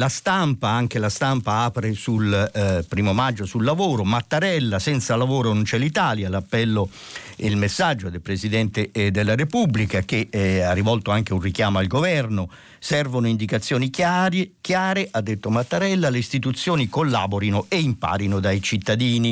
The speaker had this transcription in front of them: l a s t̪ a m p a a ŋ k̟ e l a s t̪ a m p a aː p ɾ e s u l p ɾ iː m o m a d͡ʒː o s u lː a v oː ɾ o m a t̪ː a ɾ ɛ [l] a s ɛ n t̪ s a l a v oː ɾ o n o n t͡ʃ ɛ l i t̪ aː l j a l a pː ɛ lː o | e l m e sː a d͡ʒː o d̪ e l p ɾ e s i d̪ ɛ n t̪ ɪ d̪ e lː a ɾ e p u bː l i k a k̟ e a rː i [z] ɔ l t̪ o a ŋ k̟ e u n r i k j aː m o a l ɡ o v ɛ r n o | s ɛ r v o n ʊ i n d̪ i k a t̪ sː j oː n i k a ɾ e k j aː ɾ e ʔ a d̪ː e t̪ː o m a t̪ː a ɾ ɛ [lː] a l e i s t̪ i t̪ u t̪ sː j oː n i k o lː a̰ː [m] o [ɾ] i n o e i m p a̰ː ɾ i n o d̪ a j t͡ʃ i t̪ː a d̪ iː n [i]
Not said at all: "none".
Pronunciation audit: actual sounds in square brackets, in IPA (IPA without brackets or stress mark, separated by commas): lː, v, lː, b, ɾ, i